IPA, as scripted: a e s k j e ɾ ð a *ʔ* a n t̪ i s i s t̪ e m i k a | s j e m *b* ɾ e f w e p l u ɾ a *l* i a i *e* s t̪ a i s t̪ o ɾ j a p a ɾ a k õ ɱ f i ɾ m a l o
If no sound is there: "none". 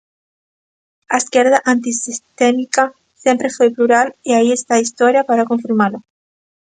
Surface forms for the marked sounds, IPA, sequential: ʔ, p, l, e

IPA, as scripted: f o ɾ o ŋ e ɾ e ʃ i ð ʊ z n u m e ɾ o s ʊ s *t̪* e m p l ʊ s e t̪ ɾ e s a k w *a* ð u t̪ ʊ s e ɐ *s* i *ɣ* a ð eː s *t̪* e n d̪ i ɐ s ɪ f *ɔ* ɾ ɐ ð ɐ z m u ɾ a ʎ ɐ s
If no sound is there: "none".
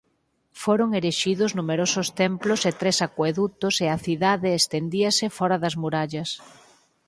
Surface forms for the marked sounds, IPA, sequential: t̪, e, θ, ð, t̪, ɔ

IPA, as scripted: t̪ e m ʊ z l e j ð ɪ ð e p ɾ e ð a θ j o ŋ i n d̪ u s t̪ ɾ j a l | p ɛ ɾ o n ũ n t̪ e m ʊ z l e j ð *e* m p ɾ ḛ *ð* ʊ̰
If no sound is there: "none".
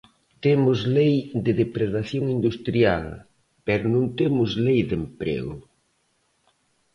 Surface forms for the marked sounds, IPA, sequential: e, ɣ

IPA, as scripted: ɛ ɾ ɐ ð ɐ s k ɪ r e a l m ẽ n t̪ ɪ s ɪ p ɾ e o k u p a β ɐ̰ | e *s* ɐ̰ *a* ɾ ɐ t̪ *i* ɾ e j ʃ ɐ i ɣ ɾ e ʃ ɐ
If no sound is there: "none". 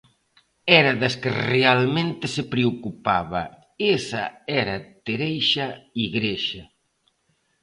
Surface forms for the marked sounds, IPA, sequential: s, ɛ, e

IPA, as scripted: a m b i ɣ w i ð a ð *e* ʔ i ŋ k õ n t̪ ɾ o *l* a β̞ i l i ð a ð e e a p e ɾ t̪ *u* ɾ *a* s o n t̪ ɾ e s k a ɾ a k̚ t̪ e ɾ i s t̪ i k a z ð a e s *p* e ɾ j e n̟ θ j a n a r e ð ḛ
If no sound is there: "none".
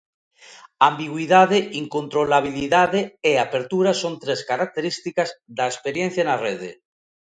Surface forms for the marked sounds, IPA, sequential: e, l, u, a, p

